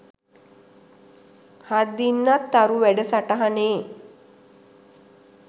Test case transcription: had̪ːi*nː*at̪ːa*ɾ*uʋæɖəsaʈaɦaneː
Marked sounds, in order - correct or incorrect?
correct, correct

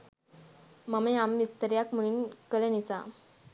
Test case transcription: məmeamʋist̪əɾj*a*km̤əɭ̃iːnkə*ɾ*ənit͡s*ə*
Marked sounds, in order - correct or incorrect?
correct, incorrect, incorrect

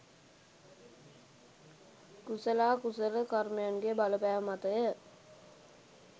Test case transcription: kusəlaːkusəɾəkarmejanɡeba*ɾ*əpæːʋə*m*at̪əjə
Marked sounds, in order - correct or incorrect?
incorrect, correct

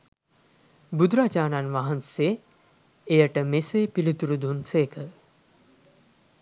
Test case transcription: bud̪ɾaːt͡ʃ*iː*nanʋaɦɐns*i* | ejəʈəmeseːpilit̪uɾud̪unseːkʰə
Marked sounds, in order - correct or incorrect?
incorrect, incorrect

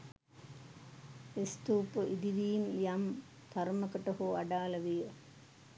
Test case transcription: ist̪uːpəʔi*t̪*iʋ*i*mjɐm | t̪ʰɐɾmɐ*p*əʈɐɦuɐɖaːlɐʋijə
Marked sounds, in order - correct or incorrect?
incorrect, incorrect, incorrect

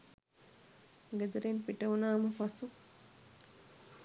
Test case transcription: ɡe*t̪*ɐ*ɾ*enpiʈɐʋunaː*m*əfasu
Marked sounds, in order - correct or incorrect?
incorrect, correct, correct

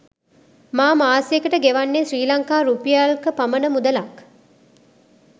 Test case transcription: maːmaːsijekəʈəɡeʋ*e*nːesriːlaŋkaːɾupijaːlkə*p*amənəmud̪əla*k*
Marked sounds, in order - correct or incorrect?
incorrect, correct, correct

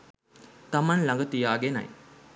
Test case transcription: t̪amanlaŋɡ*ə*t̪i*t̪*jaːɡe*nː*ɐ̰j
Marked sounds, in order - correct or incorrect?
correct, incorrect, incorrect

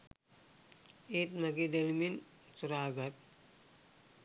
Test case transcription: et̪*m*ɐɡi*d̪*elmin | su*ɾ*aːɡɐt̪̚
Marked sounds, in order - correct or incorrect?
correct, correct, correct

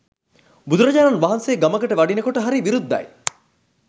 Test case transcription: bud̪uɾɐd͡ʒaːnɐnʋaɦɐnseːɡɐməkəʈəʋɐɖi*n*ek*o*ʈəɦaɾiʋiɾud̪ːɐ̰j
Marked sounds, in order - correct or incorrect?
correct, correct

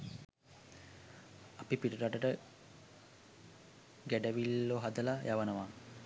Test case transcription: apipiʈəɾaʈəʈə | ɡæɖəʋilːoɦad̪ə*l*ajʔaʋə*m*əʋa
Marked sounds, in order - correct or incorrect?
correct, incorrect

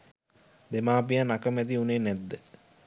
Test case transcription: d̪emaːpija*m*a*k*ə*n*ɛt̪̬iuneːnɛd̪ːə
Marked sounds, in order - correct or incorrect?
incorrect, correct, incorrect

